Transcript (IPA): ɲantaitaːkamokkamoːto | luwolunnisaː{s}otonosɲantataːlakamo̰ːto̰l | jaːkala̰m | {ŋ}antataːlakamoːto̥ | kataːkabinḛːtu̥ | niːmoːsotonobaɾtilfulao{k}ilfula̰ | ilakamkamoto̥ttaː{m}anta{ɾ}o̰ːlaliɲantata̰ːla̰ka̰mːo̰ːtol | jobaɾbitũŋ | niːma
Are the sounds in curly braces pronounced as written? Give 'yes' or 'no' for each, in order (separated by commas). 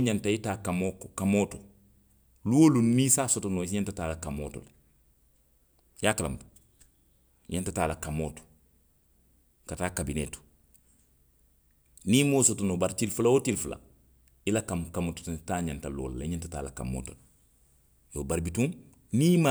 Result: yes, no, no, no, no